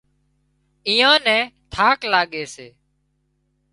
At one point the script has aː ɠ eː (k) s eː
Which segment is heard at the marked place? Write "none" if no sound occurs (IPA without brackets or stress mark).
none